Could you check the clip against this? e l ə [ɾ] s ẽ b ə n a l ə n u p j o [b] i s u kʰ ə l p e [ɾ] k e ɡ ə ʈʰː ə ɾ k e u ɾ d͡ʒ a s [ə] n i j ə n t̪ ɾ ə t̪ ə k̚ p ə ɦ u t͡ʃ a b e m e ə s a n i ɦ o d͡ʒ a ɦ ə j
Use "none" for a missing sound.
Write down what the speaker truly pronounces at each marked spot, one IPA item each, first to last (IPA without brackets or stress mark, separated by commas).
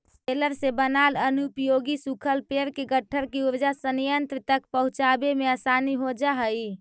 ɾ, ɡ, ɾ, ə